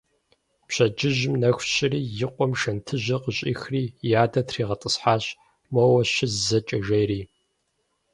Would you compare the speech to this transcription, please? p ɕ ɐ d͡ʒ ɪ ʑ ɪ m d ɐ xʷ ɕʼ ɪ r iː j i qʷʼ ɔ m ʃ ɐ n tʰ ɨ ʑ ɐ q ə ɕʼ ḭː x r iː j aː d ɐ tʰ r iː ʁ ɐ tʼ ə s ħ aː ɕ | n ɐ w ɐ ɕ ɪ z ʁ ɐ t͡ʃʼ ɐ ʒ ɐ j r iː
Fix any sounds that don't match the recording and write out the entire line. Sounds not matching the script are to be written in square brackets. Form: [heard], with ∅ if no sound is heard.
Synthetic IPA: p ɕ ɐ d͡ʒ ɪ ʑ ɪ m [n] ɐ xʷ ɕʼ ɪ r iː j [ɪ] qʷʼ ɔ m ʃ ɐ n tʰ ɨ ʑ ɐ q ə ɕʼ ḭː x r iː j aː d ɐ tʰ r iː ʁ ɐ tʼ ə s ħ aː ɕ | [m] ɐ w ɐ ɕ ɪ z [z] ɐ t͡ʃʼ ɐ ʒ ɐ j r iː

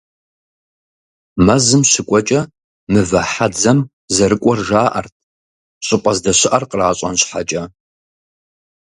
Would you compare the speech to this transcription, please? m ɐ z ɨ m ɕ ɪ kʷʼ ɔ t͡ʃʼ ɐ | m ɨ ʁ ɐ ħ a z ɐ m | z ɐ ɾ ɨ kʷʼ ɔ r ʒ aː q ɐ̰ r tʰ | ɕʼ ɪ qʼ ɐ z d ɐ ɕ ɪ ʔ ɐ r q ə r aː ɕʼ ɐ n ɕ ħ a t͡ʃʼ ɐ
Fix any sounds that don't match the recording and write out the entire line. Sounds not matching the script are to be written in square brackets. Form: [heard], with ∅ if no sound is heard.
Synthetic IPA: m ɐ z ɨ m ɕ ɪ kʷʼ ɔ t͡ʃʼ ɐ | m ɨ [v] ɐ ħ a [d͡z] ɐ m | z ɐ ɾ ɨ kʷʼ ɔ r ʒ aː [ʔ] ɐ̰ r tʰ | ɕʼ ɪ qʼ ɐ z d ɐ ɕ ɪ ʔ ɐ r q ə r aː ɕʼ ɐ n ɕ ħ a t͡ʃʼ ɐ

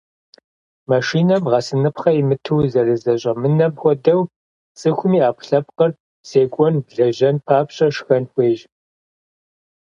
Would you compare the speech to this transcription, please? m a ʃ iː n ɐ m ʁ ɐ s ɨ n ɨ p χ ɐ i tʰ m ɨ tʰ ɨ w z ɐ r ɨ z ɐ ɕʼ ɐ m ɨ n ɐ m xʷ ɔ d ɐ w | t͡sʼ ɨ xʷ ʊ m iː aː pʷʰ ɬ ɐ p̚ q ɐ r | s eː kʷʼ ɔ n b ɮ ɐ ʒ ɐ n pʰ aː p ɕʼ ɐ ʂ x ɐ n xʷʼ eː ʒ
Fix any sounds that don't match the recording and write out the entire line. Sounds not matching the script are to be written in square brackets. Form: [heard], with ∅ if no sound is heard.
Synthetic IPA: m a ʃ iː n ɐ m ʁ ɐ s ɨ n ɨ p χ ɐ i [∅] m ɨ tʰ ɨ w z ɐ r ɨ z ɐ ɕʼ ɐ m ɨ n ɐ m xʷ ɔ d ɐ w | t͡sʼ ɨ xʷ ʊ m iː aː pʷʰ ɬ ɐ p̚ q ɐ r | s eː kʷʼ ɔ n b ɮ ɐ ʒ ɐ n pʰ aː p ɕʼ ɐ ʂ x ɐ n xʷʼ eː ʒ

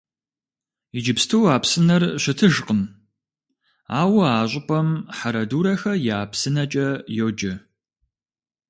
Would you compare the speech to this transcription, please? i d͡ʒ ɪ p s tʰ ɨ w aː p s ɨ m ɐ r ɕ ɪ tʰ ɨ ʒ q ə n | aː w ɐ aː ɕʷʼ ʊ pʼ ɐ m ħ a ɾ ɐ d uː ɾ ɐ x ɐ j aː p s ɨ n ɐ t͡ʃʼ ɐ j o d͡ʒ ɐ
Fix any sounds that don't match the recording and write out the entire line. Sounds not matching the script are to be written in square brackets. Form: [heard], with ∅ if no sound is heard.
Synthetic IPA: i d͡ʒ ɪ p s tʰ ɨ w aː p s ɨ [n] ɐ r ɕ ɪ tʰ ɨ ʒ q ə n | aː w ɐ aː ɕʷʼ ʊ pʼ ɐ m ħ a ɾ ɐ d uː ɾ ɐ x ɐ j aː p s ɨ n ɐ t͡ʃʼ ɐ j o d͡ʒ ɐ

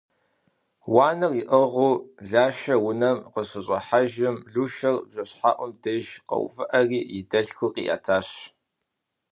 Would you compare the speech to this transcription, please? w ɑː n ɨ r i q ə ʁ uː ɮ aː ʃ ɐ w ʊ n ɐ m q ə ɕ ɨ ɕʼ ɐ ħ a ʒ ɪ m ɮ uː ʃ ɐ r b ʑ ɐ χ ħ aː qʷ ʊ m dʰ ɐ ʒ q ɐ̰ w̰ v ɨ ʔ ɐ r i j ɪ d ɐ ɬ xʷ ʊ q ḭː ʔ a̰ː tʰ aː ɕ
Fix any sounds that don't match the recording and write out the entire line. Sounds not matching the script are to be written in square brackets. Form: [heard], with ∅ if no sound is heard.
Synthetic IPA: w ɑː n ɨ r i [ʔ] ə ʁ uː ɮ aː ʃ ɐ w ʊ n ɐ m q ə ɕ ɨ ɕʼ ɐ ħ a ʒ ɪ m ɮ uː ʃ ɐ r b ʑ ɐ [ɕ] ħ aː [ʔʷ] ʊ m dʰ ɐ ʒ q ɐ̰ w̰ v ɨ ʔ ɐ r [iː] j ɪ d ɐ ɬ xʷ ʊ q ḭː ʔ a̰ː tʰ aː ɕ

